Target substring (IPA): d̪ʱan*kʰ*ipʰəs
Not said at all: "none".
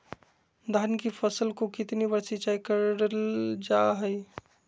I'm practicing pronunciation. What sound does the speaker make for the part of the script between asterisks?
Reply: k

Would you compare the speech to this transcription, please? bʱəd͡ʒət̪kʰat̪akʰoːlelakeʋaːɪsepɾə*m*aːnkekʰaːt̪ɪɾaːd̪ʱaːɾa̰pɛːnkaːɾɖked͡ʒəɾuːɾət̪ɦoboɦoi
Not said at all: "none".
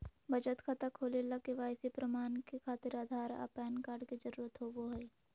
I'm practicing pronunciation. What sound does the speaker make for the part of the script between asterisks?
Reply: m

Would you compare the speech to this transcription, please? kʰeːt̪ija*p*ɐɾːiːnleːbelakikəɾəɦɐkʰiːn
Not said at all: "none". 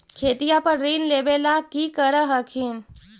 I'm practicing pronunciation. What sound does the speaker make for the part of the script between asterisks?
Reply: p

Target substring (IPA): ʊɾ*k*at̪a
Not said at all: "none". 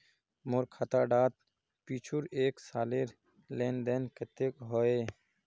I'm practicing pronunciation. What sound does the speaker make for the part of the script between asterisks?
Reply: kʰ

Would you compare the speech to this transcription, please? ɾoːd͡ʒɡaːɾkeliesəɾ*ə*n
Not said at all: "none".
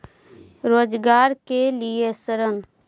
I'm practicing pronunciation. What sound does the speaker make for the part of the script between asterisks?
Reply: ə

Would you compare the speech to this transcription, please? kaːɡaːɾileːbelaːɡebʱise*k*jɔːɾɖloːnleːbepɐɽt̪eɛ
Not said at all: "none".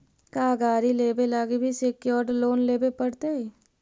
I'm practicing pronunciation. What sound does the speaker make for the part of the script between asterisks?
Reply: k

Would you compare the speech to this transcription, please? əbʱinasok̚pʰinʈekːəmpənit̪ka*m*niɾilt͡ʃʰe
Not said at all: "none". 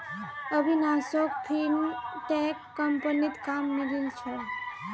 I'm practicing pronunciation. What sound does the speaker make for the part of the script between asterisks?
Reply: m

